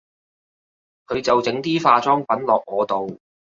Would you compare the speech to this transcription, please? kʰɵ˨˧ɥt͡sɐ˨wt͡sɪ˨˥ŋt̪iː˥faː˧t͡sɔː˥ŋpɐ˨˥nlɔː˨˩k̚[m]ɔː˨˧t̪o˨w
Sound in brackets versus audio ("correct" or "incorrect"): incorrect